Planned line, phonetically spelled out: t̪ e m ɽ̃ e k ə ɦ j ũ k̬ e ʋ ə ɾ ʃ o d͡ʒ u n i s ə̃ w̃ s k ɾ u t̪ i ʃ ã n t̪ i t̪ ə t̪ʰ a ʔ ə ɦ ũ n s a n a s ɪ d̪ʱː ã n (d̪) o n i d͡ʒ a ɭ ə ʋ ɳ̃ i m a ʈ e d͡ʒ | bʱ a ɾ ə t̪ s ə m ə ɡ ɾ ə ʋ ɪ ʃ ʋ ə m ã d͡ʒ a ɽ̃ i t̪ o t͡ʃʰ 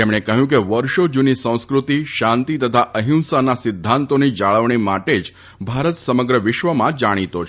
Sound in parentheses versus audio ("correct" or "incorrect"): incorrect